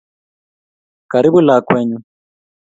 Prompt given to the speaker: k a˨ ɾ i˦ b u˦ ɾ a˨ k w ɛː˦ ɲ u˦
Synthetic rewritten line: k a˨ ɾ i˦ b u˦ l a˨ k w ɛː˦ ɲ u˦